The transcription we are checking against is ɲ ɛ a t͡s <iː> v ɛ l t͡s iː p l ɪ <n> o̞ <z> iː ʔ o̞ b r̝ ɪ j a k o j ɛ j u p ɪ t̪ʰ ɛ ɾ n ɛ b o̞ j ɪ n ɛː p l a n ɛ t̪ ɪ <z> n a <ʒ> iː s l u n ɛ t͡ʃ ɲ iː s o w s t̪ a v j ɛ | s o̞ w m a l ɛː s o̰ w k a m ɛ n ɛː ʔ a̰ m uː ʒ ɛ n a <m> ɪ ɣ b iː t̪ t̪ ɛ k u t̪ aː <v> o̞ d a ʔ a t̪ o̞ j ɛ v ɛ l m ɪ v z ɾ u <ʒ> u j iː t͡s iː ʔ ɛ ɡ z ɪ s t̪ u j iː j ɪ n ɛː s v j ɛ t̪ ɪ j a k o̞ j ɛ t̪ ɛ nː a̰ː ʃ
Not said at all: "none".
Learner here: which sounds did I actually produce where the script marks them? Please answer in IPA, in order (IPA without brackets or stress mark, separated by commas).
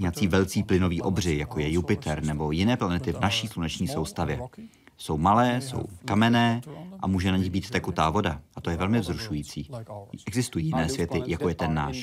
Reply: iː, n, v, v, ʃ, ɲ, v, ʃ